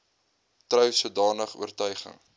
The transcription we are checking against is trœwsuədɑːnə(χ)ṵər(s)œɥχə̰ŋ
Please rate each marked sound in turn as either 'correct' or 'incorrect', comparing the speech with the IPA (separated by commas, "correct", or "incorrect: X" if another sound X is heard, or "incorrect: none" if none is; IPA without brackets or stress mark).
correct, incorrect: t